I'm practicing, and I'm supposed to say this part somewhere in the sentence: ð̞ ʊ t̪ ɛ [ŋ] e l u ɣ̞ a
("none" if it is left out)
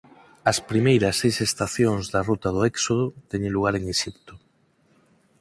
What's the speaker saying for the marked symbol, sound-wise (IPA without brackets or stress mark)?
ɲ